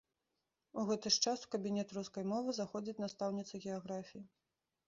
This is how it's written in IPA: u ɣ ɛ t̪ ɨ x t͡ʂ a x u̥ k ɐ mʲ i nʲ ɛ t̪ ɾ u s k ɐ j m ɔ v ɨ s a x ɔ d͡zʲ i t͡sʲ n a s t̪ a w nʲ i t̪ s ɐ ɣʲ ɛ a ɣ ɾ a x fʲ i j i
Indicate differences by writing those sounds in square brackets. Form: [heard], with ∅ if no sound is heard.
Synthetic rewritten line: u ɣ ɛ t̪ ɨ [ʂ] t͡ʂ a [s] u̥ k ɐ [bʲ] i nʲ ɛ t̪ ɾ u s k ɐ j m ɔ v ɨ [z] a x ɔ d͡zʲ i t͡sʲ n a s t̪ a w nʲ i t̪ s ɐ ɣʲ ɛ a ɣ ɾ a [∅] fʲ i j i